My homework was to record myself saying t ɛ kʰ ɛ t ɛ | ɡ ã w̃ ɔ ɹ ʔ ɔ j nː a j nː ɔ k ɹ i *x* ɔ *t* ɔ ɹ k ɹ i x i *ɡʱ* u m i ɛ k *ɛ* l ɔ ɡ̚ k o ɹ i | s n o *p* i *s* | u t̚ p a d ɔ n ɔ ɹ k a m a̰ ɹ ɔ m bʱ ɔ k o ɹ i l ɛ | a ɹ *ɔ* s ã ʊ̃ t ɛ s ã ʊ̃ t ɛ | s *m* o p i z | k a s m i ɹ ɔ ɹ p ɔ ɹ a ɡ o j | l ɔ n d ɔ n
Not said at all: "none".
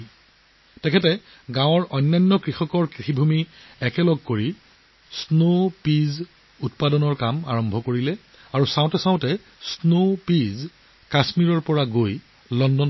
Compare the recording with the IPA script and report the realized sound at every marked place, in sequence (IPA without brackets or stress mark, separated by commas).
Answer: x, k, bʱ, ɛ, p, z, u, n